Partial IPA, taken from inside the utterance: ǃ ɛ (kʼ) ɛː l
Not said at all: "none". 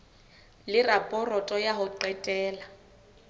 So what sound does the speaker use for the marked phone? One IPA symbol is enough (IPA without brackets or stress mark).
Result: tʼ